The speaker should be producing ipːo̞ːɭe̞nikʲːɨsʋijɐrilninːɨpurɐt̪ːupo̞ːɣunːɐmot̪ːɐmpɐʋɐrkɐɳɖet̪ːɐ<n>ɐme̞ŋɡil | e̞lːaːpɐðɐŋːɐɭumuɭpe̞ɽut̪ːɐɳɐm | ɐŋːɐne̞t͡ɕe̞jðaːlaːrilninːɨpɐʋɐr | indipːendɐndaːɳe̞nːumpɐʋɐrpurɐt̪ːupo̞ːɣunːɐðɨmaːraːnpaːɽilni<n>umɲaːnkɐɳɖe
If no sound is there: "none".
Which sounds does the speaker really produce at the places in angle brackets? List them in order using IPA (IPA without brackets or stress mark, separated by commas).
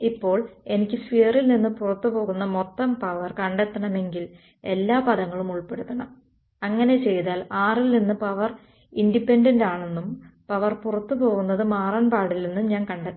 ɳ, nː